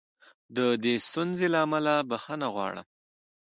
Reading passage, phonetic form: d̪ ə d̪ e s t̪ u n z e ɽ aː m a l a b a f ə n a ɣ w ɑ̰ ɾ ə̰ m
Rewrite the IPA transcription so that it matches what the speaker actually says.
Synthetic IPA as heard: d̪ ə d̪ e s t̪ u n z e l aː m a l a b a x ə n a ɣ w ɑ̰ ɽ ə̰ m